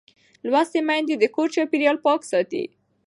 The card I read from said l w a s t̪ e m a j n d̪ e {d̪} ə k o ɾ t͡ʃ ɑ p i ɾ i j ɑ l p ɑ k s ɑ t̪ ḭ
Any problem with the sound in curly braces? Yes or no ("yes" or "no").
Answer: no